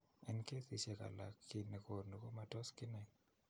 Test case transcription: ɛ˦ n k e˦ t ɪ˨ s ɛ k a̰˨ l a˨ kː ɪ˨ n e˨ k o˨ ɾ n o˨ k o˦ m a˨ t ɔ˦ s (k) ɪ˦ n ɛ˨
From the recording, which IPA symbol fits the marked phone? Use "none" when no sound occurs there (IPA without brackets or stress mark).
k